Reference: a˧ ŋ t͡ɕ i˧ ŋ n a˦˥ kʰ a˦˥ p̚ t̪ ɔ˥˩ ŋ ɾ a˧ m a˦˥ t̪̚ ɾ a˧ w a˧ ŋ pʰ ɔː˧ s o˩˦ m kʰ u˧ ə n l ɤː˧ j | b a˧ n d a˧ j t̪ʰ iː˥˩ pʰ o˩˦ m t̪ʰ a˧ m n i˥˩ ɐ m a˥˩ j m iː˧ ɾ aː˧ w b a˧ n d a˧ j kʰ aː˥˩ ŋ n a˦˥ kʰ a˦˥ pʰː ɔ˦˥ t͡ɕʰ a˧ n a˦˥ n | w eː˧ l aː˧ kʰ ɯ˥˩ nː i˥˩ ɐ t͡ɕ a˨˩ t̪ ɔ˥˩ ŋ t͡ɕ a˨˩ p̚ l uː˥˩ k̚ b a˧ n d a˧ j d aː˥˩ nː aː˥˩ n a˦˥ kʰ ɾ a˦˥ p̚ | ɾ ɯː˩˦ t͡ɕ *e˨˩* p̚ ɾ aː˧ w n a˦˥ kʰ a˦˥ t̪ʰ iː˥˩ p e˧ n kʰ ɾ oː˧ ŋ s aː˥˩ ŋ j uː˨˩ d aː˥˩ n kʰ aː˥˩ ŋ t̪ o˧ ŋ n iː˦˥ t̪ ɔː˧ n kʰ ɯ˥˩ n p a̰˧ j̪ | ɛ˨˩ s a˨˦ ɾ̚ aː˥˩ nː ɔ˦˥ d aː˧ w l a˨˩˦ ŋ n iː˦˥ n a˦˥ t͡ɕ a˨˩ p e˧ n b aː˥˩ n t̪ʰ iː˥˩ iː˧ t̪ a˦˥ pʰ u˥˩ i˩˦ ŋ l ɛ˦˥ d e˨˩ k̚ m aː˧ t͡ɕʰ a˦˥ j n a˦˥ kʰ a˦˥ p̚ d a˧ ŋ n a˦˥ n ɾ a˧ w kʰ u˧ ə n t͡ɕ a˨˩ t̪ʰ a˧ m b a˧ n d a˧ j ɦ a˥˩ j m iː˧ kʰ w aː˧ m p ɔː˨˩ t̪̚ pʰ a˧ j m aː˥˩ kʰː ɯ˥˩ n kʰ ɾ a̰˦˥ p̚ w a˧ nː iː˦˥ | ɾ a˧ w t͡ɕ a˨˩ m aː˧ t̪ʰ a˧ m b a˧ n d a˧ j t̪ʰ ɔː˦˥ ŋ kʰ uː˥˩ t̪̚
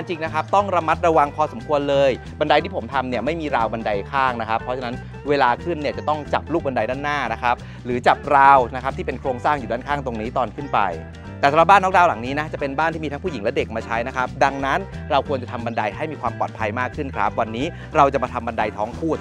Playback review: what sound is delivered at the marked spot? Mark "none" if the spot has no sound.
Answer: a˨˩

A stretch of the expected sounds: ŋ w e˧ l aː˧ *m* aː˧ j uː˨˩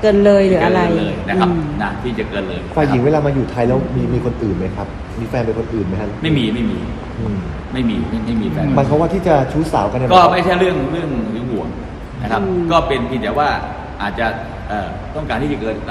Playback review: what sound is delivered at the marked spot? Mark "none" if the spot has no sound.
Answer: m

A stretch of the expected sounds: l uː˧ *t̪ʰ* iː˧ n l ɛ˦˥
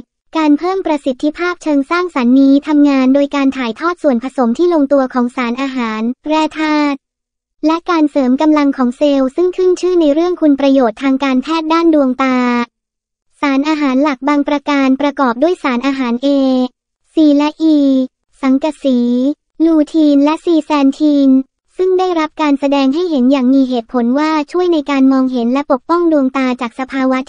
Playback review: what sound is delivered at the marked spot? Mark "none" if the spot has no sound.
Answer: t̪ʰ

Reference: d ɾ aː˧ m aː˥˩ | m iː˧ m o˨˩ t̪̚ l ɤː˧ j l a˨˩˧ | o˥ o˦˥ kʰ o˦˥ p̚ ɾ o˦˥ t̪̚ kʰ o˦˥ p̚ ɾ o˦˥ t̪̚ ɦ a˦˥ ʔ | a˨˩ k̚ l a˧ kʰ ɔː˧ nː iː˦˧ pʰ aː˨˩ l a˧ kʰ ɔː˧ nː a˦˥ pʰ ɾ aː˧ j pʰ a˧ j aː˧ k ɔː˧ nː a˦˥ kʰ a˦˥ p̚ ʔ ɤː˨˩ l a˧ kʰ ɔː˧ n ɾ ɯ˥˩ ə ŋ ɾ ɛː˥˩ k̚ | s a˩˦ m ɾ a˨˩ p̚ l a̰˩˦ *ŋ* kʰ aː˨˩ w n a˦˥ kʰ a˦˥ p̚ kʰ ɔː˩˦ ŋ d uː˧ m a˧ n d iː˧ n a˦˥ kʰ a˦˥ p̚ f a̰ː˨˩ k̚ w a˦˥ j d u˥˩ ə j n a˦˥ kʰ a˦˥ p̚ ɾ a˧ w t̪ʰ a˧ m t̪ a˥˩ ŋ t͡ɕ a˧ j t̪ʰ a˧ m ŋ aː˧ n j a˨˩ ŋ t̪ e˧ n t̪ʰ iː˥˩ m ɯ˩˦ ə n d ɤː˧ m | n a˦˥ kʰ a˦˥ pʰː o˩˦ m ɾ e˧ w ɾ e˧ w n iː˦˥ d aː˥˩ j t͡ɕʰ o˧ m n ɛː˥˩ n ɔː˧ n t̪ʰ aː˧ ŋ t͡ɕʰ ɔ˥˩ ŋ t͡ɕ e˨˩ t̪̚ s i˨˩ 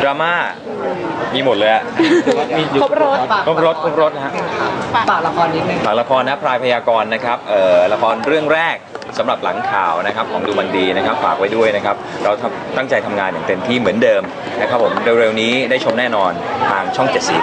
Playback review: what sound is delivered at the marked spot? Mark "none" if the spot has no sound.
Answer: ŋ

